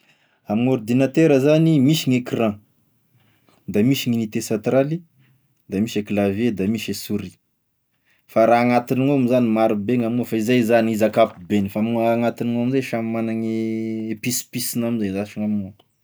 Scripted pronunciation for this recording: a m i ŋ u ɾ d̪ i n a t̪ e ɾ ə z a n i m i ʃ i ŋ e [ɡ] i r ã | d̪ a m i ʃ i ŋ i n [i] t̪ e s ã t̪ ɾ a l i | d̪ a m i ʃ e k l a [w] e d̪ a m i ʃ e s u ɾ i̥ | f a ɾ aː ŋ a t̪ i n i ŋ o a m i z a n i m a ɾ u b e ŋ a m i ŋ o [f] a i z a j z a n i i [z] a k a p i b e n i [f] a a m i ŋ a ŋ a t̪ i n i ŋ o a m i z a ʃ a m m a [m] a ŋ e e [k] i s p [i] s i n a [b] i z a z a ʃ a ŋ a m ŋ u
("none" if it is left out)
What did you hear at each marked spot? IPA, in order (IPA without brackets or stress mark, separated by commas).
k, i, v, f, z, f, n, p, i, m